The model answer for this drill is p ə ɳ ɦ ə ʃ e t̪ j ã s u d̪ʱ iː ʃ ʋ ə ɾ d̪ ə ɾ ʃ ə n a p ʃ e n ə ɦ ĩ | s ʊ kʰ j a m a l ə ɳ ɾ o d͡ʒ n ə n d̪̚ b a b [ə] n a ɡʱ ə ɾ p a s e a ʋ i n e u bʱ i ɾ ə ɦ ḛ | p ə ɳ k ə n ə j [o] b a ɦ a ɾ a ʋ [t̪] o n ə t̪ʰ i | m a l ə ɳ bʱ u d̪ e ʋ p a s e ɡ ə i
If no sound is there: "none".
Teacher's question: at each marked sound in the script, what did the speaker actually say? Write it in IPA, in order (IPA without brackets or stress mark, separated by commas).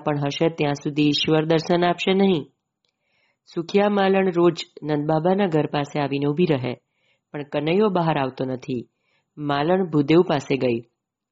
a, o, t̪